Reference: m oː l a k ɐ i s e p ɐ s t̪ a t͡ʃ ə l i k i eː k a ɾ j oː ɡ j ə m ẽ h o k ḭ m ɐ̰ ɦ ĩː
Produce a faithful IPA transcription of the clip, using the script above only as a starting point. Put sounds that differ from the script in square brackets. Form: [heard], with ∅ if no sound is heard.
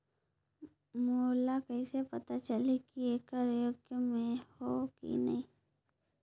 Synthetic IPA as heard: m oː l a k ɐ i s e p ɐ [∅] t̪ a t͡ʃ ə l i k i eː k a ɾ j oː ɡ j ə m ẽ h o k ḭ [n] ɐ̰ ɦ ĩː